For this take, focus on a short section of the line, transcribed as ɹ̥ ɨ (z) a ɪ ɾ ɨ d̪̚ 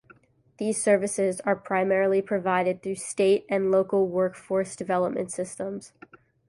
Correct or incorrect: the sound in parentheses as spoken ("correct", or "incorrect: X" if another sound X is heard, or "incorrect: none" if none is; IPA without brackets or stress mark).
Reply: incorrect: v